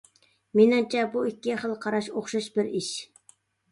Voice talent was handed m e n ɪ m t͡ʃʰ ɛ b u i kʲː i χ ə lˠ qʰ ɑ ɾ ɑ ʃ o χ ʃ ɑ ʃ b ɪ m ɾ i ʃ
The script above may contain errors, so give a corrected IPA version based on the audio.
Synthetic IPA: m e n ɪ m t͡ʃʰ ɛ b u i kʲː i χ ə lˠ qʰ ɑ ɾ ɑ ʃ o χ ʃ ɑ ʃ b ɪ ɾ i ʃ